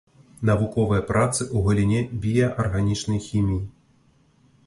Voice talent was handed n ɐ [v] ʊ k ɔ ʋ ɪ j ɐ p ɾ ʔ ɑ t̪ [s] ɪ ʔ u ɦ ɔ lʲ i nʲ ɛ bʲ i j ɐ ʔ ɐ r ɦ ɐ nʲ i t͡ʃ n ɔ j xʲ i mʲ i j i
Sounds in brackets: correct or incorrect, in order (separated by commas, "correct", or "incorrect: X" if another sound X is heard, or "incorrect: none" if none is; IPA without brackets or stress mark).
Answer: incorrect: ʋ, correct